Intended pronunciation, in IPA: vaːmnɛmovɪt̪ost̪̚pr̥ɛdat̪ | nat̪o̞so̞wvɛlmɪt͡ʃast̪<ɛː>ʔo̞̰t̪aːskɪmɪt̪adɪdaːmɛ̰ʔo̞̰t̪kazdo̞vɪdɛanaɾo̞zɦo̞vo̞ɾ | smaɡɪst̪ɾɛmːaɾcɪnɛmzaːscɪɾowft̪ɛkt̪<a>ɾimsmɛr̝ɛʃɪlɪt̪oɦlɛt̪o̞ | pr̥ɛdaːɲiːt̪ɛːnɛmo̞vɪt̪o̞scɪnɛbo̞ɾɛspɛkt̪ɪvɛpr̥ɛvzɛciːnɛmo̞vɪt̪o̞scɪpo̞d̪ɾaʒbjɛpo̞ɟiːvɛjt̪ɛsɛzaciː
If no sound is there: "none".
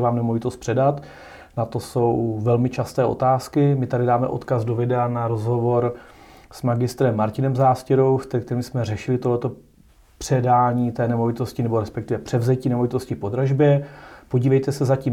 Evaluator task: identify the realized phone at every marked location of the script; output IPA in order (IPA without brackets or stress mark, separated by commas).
ɛː, ɛ